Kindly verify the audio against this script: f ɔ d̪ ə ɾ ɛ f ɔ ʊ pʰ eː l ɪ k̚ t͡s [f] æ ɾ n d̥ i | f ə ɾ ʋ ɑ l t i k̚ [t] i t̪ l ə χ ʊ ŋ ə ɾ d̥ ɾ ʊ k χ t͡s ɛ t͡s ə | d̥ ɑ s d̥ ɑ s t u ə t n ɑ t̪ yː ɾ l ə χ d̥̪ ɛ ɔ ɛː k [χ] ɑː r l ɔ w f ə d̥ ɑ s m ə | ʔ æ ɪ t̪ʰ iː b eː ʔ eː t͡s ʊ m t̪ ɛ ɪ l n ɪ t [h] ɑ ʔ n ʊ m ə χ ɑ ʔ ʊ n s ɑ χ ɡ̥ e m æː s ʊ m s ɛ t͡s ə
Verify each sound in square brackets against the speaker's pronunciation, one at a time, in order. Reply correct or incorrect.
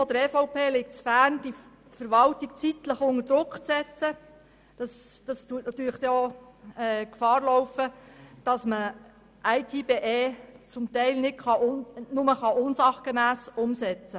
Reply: correct, incorrect, incorrect, incorrect

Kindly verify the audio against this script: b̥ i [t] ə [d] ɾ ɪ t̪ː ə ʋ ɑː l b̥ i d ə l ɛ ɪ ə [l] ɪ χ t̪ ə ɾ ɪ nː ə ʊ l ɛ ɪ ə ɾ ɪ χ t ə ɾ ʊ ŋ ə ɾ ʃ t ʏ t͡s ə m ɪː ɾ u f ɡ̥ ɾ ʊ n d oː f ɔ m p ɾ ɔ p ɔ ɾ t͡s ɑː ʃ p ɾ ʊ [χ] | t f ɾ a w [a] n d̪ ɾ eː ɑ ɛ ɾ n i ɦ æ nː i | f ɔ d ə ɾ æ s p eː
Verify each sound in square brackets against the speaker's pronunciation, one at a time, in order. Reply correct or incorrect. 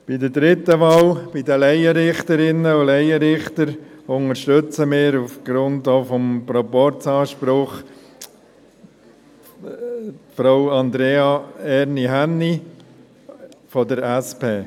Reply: incorrect, correct, incorrect, correct, incorrect

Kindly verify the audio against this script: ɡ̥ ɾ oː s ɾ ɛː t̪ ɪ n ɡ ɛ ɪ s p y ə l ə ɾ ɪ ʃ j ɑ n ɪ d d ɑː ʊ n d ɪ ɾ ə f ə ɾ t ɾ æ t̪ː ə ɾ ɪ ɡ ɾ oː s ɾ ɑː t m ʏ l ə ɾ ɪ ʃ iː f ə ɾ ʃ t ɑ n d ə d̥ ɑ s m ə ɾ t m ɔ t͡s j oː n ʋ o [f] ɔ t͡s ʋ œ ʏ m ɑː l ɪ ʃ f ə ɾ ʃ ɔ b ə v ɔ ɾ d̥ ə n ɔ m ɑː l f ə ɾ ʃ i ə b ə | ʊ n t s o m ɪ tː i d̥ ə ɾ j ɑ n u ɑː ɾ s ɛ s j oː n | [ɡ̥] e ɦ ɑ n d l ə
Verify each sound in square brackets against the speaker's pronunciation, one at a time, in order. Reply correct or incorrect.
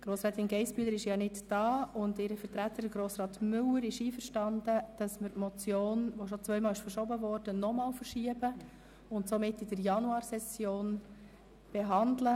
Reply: incorrect, incorrect

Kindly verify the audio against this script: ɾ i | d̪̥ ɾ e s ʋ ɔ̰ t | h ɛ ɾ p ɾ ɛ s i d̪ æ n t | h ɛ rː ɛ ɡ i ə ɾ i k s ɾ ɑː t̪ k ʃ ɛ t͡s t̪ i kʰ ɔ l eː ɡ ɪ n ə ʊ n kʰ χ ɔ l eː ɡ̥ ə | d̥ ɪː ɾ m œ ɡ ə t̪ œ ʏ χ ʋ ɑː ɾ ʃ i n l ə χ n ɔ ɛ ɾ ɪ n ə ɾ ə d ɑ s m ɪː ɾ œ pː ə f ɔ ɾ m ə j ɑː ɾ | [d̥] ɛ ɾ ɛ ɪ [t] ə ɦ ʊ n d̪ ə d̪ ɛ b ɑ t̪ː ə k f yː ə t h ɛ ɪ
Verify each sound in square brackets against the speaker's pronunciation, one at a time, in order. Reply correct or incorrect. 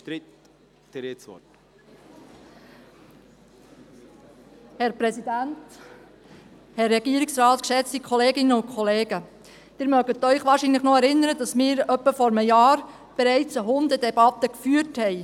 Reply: incorrect, incorrect

